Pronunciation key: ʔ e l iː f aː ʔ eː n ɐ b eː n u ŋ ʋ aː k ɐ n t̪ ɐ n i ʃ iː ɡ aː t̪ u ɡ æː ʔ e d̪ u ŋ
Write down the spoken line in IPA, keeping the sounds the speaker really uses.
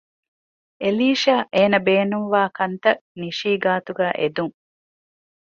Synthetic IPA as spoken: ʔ e l iː ʃ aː ʔ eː n ɐ b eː n u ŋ ʋ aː k ɐ n t̪ ɐ n i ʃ iː ɡ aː t̪ u ɡ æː ʔ e d̪ u ŋ